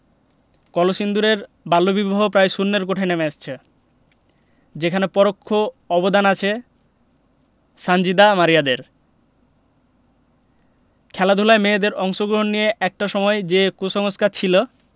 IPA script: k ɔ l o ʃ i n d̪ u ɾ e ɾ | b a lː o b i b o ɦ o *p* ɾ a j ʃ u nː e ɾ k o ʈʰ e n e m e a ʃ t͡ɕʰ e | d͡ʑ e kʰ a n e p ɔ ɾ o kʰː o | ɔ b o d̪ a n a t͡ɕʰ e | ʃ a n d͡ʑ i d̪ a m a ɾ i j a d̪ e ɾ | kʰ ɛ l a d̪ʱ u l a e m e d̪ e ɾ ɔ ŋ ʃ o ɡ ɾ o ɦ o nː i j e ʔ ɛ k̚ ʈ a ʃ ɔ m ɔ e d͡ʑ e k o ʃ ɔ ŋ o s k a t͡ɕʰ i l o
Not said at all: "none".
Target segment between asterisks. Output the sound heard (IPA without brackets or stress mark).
p